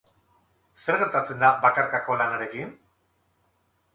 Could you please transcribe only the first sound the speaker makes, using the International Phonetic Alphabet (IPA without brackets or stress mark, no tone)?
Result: s